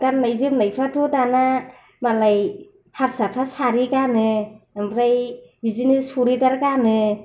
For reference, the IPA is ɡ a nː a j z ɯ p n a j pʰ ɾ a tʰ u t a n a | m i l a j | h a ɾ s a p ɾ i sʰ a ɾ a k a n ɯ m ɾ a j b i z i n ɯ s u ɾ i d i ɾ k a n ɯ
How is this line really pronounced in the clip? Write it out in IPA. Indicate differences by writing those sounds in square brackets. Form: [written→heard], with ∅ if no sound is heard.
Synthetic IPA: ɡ a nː a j z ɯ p n a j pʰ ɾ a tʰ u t a n a | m [i→a] l a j | h a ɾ s a [p→pʰ] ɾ [i→a] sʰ a ɾ [a→i] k a n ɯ m ɾ a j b i z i n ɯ s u ɾ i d [i→a] ɾ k a n ɯ